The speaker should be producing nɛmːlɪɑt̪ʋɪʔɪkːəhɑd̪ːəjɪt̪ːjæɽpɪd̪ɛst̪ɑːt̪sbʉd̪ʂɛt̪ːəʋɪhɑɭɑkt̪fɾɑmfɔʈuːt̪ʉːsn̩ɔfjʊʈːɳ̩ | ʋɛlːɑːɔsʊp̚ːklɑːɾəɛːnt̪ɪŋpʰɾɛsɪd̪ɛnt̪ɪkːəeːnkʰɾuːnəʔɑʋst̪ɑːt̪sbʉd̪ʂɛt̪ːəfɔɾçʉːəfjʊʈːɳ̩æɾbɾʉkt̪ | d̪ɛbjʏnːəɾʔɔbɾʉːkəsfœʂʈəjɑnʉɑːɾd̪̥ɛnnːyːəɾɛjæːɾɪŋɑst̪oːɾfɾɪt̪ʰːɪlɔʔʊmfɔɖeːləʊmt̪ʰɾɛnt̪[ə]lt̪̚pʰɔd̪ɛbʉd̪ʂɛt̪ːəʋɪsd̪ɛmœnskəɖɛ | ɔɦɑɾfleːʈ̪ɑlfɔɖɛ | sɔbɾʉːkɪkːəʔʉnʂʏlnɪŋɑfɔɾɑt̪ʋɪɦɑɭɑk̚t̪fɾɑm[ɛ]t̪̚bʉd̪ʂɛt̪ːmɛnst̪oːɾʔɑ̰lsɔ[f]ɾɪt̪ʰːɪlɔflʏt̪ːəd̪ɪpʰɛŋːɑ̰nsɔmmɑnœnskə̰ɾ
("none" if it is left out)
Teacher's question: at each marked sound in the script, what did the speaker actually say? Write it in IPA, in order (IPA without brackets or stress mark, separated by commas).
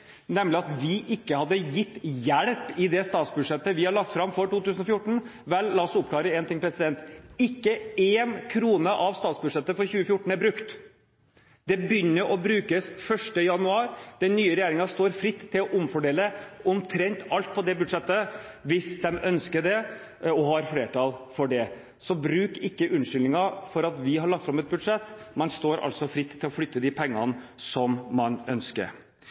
ɑ, ɛ, f